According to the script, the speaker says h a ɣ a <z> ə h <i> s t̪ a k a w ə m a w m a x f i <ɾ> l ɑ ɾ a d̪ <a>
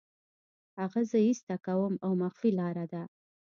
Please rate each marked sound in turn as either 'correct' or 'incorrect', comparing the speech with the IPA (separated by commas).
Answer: correct, correct, incorrect, correct